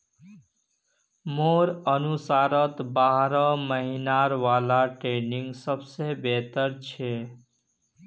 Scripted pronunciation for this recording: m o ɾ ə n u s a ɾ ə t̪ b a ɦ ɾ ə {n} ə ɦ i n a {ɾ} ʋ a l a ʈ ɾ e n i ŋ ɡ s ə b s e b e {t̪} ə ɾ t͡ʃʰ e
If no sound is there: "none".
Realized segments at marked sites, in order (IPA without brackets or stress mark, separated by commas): m, ɾ, t̪